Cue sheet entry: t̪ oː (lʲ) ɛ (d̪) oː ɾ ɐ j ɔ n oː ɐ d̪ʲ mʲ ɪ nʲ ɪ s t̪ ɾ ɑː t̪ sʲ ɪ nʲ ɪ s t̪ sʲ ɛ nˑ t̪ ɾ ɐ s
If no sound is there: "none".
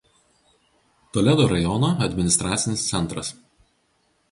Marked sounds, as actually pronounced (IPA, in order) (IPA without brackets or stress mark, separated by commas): lʲ, d̪